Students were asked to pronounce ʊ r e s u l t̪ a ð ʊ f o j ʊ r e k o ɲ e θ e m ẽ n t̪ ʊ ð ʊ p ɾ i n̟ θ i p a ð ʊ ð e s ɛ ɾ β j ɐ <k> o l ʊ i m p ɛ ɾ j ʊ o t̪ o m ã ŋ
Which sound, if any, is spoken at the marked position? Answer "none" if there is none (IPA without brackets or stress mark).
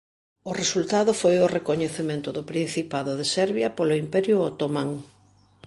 p